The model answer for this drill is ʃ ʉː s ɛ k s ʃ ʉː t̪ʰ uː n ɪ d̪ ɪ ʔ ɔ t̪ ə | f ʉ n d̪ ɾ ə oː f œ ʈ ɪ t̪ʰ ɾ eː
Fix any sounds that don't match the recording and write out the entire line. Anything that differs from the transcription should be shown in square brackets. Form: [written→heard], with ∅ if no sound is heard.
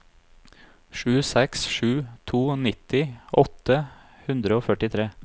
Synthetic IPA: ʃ ʉː s ɛ k s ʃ ʉː t̪ʰ uː n ɪ [d̪→t̪] ɪ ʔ ɔ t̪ ə | [f→h] ʉ n d̪ ɾ ə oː f œ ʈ ɪ t̪ʰ ɾ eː